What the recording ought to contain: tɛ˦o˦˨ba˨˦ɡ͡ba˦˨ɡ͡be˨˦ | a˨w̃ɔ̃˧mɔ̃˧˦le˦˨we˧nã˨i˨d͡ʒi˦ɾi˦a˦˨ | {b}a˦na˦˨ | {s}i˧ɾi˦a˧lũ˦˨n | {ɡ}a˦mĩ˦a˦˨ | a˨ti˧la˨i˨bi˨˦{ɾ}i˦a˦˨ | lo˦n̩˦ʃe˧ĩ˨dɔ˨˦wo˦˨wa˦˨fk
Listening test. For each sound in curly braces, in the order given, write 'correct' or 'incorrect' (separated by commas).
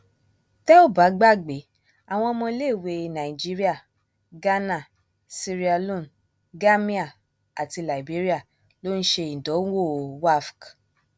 incorrect, correct, correct, correct